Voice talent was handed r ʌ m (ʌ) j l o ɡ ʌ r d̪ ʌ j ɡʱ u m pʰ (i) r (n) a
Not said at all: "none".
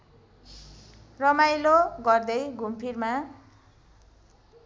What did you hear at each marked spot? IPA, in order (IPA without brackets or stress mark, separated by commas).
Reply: a, i, m